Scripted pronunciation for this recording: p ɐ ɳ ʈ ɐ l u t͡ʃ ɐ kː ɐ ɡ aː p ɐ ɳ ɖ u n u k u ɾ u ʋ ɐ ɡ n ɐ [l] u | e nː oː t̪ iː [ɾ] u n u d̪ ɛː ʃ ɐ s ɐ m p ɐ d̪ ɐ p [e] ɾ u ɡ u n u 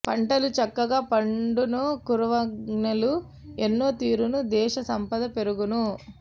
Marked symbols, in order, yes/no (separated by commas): yes, yes, yes